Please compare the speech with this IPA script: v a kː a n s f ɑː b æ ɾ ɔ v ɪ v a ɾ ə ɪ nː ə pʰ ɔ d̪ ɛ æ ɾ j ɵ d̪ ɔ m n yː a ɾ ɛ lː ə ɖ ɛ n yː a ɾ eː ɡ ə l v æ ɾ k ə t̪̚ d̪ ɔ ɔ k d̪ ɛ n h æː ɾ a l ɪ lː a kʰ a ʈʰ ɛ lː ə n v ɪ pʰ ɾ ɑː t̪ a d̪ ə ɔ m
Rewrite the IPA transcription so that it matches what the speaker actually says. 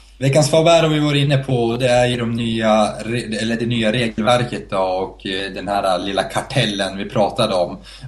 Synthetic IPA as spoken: v ɛ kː a n s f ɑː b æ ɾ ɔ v ɪ v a ɾ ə ɪ nː ə pʰ ɔ d̪ ɛ æ ɾ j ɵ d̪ ɔ m n yː a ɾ ɛ lː ə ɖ ɛ n yː a ɾ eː ɡ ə l v æ ɾ k ə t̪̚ d̪ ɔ ɔ k d̪ ɛ n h æː ɾ a l ɪ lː a kʰ a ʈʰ ɛ lː ə n v ɪ pʰ ɾ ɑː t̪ a d̪ ə ɔ m